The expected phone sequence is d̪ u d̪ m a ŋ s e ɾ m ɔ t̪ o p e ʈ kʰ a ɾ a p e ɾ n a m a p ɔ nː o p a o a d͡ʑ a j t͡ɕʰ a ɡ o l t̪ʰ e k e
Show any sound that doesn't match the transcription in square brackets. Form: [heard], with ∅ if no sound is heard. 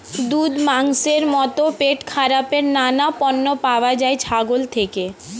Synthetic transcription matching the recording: d̪ u d̪ m a ŋ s e ɾ m ɔ t̪ o p e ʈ kʰ a ɾ a p e ɾ n a [n] a p ɔ nː o p a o a d͡ʑ a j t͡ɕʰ a ɡ o l t̪ʰ e k e